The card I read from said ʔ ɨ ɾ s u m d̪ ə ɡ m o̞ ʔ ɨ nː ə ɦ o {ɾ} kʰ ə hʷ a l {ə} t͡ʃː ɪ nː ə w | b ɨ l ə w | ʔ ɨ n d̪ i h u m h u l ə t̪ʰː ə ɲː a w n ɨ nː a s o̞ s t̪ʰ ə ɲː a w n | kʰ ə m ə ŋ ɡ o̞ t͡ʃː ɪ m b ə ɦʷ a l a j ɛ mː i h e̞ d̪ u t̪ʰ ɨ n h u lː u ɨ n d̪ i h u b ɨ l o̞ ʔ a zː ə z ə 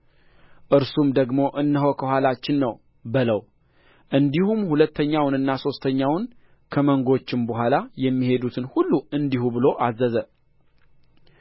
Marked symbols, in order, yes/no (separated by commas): no, no